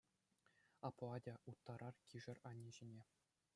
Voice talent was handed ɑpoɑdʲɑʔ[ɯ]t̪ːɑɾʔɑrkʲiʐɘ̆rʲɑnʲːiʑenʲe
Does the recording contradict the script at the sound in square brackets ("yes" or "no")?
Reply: yes